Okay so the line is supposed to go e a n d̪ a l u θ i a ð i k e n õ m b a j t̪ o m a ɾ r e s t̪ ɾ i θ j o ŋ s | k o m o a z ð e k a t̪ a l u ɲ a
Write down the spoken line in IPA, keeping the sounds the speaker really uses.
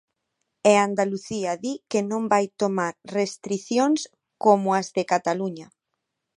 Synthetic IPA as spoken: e a n d̪ a l u θ i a ð i k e n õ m b a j t̪ o m a ɾ r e s t̪ ɾ i θ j o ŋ s | k o m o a z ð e k a t̪ a l u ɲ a